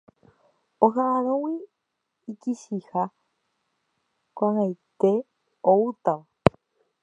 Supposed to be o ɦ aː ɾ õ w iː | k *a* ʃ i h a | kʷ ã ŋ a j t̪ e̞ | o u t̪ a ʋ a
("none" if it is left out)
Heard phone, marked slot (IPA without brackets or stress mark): i